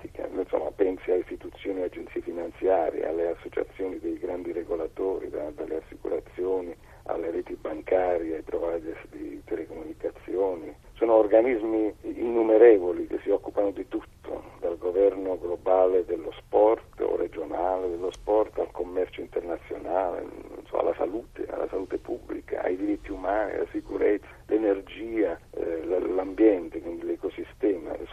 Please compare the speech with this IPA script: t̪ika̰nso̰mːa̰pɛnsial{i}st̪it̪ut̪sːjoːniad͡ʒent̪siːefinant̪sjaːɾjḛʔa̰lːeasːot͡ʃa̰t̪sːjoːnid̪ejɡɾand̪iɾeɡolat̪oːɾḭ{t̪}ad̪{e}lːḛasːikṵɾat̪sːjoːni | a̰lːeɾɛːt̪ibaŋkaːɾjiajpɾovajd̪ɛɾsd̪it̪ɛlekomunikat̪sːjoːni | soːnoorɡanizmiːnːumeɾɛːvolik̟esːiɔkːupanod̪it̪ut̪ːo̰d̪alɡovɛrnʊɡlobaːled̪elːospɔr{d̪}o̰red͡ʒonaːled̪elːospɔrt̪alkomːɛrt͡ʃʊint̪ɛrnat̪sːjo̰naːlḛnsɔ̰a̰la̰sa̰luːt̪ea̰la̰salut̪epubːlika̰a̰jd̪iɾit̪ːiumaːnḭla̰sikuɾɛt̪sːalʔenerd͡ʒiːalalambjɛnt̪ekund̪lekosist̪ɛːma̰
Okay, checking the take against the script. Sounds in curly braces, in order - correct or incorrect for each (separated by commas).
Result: correct, incorrect, incorrect, incorrect